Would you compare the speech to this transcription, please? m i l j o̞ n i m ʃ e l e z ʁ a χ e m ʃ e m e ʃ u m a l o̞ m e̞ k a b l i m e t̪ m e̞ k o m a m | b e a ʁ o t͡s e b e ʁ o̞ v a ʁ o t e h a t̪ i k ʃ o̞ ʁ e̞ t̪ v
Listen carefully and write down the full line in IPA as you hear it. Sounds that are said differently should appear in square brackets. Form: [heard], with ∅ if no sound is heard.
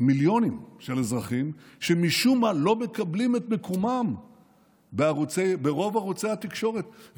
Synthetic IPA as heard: m i l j o̞ n i m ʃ e l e z ʁ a χ [i] m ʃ e m [i] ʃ u m a l o̞ m e̞ k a b l i m e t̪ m e̞ k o m a m | b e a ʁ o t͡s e b e ʁ o̞ v a ʁ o [t͡s] e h a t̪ i k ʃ o̞ ʁ e̞ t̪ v